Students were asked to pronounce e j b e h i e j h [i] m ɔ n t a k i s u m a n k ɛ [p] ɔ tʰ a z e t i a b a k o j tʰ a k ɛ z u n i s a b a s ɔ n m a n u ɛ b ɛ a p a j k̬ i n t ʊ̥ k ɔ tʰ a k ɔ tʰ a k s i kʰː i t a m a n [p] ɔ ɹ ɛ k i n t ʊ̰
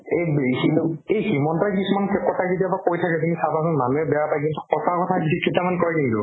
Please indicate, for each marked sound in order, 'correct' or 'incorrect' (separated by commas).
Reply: correct, incorrect, incorrect